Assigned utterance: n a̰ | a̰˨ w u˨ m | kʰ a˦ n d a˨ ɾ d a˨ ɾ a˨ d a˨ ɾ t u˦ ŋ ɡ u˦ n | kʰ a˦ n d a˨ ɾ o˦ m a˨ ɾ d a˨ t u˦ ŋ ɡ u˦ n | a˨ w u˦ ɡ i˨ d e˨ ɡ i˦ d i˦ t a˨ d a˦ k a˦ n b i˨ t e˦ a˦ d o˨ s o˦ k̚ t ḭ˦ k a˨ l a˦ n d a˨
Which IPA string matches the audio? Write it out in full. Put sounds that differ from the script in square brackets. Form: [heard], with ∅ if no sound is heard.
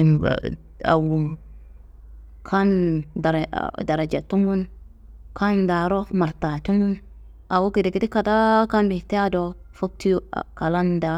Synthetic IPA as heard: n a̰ | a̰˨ w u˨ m | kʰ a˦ n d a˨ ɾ d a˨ ɾ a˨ [d͡ʒ] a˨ [∅] t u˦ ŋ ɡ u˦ n | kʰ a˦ n d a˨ ɾ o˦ m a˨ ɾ [t] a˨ t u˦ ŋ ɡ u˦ n | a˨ w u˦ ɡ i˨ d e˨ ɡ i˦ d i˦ [k] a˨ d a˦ k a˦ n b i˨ t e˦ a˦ d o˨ [f] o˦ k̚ t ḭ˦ k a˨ l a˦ n d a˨

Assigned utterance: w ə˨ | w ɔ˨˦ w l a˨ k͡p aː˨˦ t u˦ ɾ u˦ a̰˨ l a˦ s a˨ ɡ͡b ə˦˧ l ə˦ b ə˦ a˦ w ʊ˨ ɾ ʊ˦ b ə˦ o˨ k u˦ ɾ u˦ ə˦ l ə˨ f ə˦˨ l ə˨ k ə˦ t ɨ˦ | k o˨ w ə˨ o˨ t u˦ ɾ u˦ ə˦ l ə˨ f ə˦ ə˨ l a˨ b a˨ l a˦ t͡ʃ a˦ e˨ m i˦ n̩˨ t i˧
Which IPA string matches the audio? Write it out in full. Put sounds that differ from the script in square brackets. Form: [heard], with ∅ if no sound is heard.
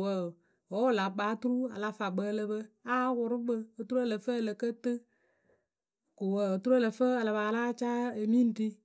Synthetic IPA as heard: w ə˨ | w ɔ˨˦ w l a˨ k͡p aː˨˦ t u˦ ɾ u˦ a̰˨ l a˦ [f] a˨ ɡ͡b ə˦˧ l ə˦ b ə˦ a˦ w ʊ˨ ɾ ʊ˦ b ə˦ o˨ [t] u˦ ɾ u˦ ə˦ l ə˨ f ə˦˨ l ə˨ k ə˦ t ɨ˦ | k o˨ w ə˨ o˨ t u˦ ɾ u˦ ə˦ l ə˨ f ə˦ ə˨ l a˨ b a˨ l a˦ t͡ʃ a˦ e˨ m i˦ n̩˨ t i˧

